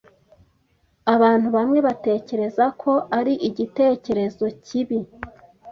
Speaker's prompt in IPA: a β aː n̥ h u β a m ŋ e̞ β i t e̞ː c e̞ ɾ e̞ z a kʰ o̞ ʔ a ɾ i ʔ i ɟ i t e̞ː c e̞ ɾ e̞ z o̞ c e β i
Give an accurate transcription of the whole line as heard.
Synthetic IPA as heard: a β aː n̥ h u β a m ŋ e̞ β a t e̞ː c e̞ ɾ e̞ z a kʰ o̞ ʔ a ɾ i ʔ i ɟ i t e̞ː c e̞ ɾ e̞ z o̞ c i β i